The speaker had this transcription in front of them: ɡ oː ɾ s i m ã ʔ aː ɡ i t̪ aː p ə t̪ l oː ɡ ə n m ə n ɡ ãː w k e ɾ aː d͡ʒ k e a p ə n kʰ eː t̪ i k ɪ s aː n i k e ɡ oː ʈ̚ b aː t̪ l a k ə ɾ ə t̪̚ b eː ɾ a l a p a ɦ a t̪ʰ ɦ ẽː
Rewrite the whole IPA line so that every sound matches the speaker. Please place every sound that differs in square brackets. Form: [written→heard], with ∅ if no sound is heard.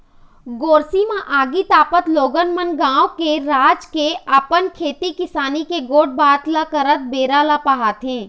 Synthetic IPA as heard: ɡ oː ɾ s i m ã ʔ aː ɡ i t̪ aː p ə t̪ l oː ɡ ə n m ə n ɡ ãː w k e ɾ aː d͡ʒ k e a p ə n kʰ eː t̪ i k ɪ s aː n i k e ɡ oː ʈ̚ b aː t̪ l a k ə ɾ ə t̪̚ b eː ɾ a l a p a ɦ a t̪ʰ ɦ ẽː

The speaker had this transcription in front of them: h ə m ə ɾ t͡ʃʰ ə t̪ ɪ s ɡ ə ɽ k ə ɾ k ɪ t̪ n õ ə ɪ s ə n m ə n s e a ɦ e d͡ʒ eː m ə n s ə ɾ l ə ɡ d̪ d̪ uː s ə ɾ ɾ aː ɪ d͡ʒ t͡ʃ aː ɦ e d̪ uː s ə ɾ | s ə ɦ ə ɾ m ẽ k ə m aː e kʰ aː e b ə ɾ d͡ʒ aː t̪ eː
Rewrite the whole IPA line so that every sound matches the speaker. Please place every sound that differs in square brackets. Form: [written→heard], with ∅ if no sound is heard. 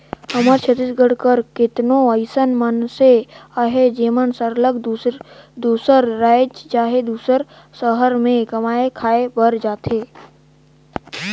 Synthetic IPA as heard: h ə m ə ɾ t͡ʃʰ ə t̪ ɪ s ɡ ə ɽ k ə ɾ k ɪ t̪ n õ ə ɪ s ə n m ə n s e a ɦ e d͡ʒ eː m ə n s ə ɾ l ə ɡ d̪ d̪ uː s ə ɾ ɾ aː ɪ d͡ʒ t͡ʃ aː ɦ e d̪ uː s ə ɾ | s ə ɦ ə ɾ m ẽ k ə m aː e kʰ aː e b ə ɾ d͡ʒ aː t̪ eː

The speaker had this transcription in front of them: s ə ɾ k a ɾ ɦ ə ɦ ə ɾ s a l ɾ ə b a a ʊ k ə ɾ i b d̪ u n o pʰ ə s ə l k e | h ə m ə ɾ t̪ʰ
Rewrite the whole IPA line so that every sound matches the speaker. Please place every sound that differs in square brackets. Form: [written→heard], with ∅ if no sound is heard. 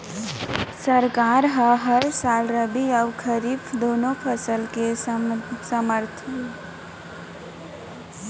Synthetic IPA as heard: s ə ɾ k a ɾ ɦ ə ɦ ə ɾ s a l ɾ ə b [a→i] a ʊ [k→kʰ] ə ɾ i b d̪ [u→o] n o pʰ ə s ə l k e | [h→s] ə m ə ɾ t̪ʰ

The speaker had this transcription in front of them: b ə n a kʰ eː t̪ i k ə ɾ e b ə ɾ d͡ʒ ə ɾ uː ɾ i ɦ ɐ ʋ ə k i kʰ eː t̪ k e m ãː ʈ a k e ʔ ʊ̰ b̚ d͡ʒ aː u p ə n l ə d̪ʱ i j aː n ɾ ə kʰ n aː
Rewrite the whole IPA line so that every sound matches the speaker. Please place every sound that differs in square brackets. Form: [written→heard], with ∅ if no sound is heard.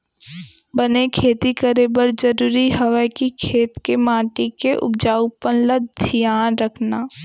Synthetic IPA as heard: b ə n [a→e] kʰ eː t̪ i k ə ɾ e b ə ɾ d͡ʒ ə ɾ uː ɾ i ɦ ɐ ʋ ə k i kʰ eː t̪ k e m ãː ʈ [a→i] k e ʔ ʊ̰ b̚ d͡ʒ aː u p ə n l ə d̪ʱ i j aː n ɾ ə kʰ n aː

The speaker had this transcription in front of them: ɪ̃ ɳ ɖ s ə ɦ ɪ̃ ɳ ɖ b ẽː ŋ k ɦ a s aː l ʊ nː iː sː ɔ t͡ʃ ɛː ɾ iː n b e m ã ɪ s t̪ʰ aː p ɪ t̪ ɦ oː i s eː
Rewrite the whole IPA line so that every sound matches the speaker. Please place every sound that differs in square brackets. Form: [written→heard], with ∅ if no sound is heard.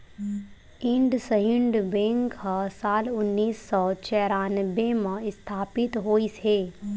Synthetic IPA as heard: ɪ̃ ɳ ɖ s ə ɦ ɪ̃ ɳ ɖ b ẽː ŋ k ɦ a s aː l ʊ nː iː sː ɔ t͡ʃ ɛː ɾ [iː→aː] n b e m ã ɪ s t̪ʰ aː p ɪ t̪ ɦ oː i s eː

